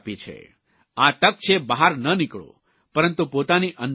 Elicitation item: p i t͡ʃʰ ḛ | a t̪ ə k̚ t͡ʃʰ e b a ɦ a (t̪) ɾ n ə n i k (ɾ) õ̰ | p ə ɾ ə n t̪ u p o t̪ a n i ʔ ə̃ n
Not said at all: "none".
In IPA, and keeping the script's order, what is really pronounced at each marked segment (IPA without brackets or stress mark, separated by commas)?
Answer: none, ɭ